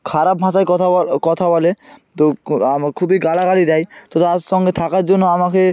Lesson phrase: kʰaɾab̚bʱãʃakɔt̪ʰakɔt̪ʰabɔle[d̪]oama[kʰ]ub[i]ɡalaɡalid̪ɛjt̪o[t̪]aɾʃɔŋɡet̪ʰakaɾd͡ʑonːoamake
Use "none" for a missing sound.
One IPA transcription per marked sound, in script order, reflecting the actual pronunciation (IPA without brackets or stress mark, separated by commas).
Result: t̪, kʰ, i, t̪